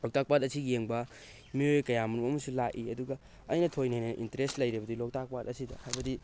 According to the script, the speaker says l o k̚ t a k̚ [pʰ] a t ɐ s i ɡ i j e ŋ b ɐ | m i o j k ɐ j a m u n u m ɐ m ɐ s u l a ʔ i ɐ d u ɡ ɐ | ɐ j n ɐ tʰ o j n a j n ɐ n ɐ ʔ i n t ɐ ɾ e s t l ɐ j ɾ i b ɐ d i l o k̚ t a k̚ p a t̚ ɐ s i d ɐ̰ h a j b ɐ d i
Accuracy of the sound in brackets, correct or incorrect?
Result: incorrect